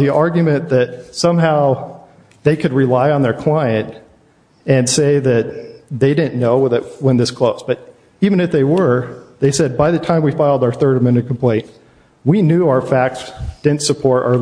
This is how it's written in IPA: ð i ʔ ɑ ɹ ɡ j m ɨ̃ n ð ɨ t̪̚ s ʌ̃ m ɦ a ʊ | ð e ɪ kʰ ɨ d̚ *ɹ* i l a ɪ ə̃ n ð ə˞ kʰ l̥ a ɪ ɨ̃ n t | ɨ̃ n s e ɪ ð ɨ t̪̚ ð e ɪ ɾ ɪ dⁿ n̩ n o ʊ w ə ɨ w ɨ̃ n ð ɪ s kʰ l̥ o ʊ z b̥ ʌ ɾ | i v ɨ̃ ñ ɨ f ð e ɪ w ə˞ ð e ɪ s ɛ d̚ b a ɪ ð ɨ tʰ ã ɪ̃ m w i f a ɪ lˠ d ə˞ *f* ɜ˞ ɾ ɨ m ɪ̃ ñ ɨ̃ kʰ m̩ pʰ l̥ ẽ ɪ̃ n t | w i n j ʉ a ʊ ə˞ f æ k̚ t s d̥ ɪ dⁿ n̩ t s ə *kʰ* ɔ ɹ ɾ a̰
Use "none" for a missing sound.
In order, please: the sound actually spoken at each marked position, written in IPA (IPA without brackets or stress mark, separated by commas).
ɹ, θ, pʰ